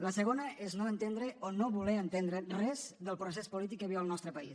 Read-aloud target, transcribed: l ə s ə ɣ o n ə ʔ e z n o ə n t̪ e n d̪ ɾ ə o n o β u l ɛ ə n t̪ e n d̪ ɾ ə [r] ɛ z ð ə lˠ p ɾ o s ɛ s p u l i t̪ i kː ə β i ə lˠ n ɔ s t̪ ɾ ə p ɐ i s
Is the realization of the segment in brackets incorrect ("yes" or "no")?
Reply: no